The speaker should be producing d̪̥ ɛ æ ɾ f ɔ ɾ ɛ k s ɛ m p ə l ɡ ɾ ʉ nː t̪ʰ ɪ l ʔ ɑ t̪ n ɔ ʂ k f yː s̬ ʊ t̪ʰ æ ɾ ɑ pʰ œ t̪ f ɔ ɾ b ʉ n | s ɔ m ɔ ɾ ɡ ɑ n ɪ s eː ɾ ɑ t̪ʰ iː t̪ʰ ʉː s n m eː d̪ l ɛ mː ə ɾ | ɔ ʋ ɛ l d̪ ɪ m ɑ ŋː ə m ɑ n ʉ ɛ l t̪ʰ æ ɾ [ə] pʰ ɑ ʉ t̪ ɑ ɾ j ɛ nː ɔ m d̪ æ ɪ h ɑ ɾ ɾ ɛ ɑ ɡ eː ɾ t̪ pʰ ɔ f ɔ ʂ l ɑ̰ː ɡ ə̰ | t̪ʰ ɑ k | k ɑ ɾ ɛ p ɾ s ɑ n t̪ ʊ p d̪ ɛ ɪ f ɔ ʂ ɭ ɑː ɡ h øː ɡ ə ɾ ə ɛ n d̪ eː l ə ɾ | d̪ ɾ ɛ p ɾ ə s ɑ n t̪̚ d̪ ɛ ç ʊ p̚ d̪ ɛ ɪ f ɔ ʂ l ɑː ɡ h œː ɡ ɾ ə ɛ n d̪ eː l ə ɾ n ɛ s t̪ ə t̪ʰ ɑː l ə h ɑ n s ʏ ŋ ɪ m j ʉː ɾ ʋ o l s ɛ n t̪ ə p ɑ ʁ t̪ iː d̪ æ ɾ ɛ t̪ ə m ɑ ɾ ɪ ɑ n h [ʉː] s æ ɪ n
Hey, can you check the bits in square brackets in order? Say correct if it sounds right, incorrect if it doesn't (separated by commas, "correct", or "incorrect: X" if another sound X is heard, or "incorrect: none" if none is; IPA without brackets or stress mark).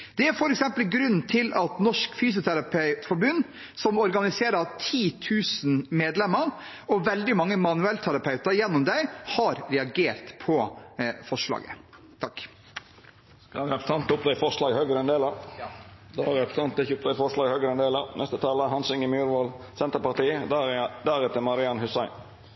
incorrect: ɑ, incorrect: ʉ